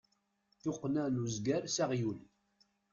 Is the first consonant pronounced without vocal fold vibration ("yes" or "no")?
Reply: yes